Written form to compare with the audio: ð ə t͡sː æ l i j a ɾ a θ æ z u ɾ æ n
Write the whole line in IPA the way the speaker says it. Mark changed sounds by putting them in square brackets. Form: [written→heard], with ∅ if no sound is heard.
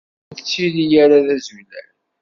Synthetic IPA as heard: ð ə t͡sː [æ→i] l i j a ɾ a [θ→ð] æ z u [ɾ→l] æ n